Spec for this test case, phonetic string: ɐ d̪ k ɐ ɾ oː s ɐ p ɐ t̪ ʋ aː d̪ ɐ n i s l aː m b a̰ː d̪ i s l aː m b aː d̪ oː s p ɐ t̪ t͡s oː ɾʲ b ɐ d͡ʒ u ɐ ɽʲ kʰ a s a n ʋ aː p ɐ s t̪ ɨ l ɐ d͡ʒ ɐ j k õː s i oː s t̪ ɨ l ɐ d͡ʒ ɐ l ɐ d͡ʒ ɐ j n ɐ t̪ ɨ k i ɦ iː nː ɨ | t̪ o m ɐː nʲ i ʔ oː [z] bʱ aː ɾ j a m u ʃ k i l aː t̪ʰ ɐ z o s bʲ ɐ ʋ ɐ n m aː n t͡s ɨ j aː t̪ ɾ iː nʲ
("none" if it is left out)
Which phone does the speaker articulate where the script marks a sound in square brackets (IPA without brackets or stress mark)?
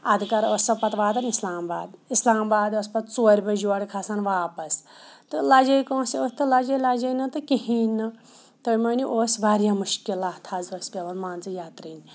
s